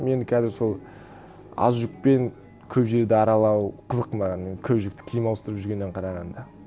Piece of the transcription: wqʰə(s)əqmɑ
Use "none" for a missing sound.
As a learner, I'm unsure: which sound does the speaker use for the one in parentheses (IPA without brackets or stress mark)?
z